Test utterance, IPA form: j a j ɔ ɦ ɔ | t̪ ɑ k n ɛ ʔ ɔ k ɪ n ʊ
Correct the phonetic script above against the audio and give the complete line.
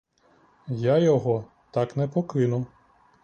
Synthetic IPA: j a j ɔ ɦ ɔ | t̪ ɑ k n ɛ p ɔ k ɪ n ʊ